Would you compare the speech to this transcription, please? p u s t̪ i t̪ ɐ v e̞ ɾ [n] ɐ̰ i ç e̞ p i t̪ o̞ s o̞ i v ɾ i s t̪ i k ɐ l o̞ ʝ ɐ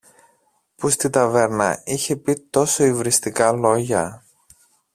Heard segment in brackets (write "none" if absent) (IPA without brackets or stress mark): n